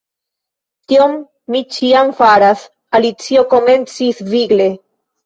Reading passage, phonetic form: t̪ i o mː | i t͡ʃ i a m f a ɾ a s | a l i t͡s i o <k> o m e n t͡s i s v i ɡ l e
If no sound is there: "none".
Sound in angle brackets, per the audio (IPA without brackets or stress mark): k